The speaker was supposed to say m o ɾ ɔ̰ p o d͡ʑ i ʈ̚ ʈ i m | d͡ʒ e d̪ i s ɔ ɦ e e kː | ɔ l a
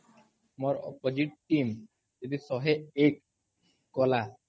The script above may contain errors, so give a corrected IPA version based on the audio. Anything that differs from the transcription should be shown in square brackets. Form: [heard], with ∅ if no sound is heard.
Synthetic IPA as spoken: m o ɾ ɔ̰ p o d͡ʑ i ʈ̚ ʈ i m | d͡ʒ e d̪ i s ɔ ɦ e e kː | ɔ l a